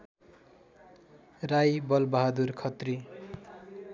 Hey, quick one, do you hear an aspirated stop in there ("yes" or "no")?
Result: yes